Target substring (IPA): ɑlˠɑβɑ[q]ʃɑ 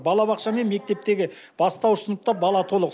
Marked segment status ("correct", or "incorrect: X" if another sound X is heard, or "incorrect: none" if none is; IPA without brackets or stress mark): correct